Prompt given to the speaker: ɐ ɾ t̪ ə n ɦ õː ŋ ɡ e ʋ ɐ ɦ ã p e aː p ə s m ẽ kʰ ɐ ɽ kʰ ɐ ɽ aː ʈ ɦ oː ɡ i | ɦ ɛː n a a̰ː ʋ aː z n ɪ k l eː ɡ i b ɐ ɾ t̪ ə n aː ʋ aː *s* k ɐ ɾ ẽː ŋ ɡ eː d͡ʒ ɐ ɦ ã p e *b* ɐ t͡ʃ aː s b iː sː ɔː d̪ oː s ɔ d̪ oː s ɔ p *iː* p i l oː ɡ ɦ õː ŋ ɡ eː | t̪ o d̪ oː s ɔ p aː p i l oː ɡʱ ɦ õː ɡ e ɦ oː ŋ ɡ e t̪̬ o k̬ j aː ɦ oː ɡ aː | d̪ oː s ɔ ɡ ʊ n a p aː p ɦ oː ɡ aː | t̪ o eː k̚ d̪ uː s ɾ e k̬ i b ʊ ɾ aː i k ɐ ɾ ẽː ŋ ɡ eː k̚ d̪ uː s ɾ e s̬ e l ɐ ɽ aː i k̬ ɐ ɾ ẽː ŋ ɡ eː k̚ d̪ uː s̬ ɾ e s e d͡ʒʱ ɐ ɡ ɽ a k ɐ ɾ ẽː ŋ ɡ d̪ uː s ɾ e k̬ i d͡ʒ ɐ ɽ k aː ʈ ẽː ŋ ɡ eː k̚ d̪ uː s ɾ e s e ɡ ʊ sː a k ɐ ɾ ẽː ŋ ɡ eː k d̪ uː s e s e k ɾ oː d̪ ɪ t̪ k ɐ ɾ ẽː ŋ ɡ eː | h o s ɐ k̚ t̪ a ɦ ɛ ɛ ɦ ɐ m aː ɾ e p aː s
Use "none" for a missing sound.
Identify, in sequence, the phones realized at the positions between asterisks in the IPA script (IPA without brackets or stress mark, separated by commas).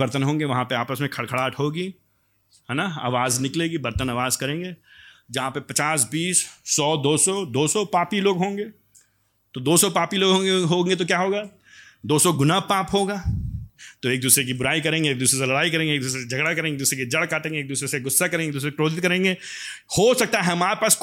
z, p, aː